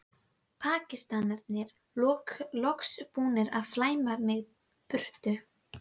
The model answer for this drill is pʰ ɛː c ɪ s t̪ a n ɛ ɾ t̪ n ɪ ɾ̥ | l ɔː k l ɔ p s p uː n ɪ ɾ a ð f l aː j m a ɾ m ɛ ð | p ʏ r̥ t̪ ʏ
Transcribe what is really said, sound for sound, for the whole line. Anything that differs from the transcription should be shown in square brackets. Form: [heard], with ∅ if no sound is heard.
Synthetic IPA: pʰ [aː] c ɪ s t̪ a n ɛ ɾ t̪ n ɪ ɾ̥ | l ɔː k l ɔ [k] s p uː n ɪ ɾ a ð f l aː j m a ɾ m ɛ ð | p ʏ r̥ t̪ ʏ